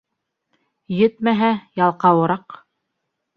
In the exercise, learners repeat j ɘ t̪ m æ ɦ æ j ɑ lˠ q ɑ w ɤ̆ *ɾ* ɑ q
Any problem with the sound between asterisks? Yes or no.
no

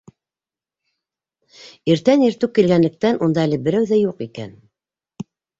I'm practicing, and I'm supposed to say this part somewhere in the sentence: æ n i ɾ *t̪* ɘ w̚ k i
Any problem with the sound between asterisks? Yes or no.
no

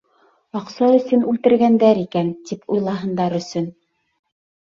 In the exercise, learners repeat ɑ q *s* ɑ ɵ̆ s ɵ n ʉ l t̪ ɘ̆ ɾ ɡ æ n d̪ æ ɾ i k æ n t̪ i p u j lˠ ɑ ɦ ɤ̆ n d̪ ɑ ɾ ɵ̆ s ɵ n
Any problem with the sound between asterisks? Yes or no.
no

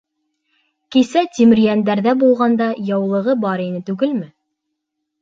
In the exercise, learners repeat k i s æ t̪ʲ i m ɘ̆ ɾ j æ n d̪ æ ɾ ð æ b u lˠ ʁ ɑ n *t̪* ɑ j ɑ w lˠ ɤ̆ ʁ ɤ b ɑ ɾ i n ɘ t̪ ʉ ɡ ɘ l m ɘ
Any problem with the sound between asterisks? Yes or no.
yes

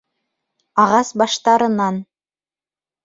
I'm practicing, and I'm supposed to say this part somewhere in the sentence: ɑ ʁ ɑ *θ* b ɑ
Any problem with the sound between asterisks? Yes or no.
yes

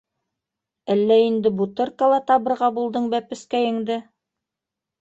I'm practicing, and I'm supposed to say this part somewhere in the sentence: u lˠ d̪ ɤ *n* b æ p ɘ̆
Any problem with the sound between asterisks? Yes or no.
yes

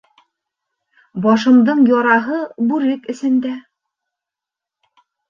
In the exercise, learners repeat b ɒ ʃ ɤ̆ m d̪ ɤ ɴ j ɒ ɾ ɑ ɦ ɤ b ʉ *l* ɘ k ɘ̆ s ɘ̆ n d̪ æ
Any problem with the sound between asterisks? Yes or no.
yes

